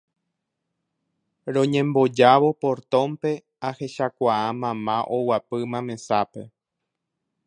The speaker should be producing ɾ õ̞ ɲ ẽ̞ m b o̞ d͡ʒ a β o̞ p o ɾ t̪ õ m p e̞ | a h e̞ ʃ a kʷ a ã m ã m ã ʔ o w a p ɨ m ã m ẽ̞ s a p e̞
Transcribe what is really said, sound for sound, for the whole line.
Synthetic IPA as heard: ɾ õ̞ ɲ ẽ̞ m b o̞ d͡ʒ a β o̞ p o ɾ t̪ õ m p e̞ | a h e̞ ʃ a kʷ a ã m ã m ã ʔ o w a p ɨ m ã m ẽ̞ s a p e̞